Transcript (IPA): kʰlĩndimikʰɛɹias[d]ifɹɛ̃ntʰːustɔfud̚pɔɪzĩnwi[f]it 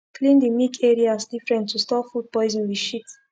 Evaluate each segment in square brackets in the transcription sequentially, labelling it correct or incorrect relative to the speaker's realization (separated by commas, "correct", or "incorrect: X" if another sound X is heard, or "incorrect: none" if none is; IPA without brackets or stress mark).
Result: correct, incorrect: ʃ